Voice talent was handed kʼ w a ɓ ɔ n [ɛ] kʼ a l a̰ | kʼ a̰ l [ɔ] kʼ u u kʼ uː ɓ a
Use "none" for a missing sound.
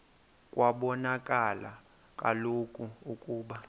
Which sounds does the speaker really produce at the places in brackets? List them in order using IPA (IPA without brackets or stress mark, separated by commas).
a, o